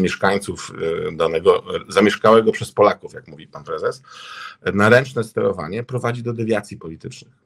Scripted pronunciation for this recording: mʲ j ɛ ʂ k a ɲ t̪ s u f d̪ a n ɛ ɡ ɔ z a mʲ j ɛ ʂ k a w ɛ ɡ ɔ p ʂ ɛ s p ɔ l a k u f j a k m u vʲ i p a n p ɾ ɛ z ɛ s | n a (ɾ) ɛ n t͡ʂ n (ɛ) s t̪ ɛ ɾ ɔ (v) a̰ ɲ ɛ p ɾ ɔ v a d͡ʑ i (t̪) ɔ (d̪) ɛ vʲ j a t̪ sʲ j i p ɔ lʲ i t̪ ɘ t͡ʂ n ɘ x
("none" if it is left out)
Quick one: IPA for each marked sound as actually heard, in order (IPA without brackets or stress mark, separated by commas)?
ɾ, ɛ, v, d̪, d̪